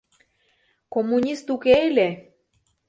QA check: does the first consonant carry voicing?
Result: no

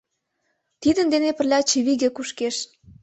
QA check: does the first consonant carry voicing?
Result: no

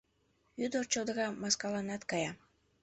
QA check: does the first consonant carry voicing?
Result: yes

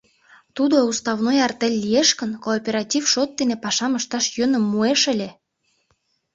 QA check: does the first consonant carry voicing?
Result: no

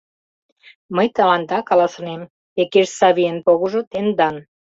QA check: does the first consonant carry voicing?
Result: yes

